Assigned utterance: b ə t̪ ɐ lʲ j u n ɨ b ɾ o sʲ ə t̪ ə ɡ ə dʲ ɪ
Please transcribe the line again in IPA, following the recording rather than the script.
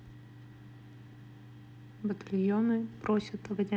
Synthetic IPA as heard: b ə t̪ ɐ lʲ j o n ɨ p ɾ o sʲ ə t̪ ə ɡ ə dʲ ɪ